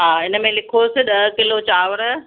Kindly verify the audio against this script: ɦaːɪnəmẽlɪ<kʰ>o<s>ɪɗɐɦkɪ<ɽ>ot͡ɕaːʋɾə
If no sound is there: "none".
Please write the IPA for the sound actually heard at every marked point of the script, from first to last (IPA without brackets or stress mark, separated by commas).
kʰ, s, l